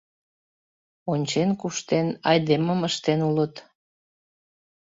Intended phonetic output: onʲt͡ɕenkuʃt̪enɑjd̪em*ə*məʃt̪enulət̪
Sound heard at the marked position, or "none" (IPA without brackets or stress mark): ə